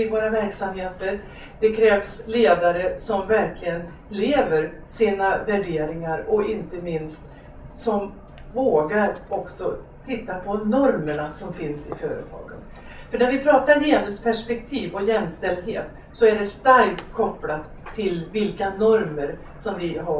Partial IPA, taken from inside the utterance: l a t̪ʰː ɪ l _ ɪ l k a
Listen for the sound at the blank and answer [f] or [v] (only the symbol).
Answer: v